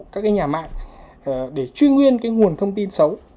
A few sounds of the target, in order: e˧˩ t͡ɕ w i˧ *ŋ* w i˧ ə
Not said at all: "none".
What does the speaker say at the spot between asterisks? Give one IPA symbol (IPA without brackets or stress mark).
ŋ